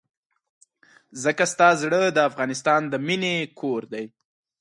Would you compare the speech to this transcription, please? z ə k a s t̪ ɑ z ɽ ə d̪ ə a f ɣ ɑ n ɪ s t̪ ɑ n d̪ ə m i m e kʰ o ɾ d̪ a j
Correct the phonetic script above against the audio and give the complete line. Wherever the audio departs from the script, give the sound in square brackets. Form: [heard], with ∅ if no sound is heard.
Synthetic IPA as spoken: z ə k a s t̪ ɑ z ɽ ə d̪ ə a f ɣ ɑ n ɪ s t̪ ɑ n d̪ ə m i [n] e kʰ o ɾ d̪ a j